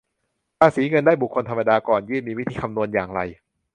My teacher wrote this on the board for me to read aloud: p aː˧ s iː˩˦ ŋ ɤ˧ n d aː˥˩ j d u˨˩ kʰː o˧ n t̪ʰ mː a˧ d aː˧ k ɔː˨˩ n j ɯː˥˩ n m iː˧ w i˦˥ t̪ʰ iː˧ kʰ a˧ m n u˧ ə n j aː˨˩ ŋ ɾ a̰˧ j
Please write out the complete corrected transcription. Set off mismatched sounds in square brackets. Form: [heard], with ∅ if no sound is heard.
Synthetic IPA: p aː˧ s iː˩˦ ŋ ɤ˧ n d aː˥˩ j [b] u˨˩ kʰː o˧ n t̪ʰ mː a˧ d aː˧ k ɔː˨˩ n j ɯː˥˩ n m iː˧ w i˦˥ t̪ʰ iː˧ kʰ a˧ m n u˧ ə n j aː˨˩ ŋ ɾ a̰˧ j